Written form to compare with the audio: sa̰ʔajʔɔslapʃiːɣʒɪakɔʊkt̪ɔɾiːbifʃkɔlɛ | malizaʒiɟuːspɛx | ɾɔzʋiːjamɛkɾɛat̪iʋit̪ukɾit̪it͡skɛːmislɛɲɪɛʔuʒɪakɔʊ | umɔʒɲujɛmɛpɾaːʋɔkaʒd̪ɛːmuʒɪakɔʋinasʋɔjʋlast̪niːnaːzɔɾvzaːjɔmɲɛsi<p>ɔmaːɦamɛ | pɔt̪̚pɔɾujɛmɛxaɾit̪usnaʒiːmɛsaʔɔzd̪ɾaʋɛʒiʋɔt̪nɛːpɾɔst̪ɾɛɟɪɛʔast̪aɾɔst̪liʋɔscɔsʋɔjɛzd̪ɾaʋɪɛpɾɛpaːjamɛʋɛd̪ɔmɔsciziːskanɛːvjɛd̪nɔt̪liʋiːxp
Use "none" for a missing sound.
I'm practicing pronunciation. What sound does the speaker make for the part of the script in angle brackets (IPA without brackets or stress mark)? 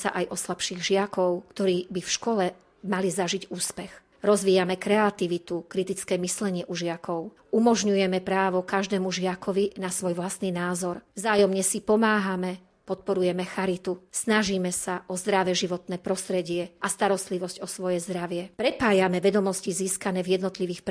p